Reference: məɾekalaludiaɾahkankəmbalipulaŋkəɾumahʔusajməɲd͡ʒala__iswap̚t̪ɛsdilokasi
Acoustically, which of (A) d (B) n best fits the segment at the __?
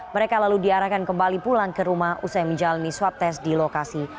B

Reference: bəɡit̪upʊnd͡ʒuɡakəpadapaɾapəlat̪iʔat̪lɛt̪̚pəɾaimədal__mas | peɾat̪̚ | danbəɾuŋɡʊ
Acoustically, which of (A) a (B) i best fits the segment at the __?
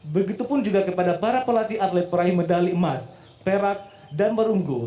B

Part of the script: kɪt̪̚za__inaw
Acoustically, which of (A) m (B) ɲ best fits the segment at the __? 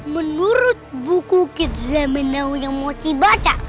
A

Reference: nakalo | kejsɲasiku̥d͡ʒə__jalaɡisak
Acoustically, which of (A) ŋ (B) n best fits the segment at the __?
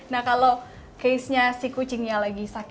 A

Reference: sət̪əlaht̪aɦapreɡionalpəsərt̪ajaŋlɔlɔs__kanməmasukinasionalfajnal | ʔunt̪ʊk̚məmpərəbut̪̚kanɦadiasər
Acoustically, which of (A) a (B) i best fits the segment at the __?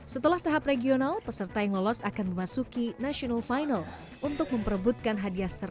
A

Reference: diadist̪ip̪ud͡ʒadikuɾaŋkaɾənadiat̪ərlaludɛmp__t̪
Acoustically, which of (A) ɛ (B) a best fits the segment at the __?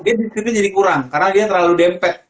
A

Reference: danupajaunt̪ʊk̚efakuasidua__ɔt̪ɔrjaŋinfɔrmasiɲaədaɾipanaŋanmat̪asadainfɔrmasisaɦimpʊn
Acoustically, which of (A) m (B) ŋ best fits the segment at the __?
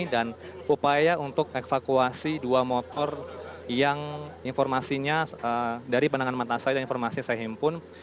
A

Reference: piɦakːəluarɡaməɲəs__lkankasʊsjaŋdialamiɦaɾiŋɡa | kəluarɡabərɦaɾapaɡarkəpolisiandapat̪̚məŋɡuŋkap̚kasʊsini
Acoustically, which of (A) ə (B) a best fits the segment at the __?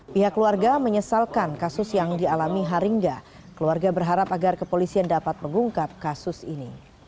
B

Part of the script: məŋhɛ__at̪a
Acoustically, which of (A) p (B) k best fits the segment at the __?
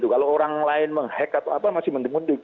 B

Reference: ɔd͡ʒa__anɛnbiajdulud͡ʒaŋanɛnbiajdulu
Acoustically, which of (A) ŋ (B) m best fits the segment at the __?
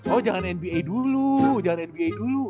A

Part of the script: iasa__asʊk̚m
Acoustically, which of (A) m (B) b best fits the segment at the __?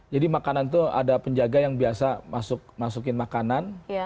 A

